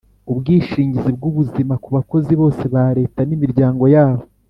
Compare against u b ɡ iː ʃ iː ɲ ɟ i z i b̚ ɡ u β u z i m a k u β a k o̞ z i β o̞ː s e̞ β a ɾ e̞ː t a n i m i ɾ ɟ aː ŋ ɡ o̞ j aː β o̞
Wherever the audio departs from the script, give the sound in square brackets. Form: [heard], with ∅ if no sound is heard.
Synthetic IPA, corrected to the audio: u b ɡ iː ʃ iː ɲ ɟ i z i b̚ ɡ u β u z i m a k u β a k o̞ z i β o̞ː s e̞ β a ɾ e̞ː t a n i m i ɾ ɟ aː ŋ ɡ o̞ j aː β o̞